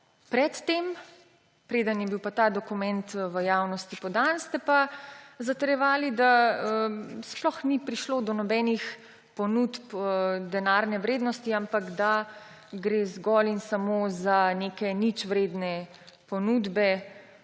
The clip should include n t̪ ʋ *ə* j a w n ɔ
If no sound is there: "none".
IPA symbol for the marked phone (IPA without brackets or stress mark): ə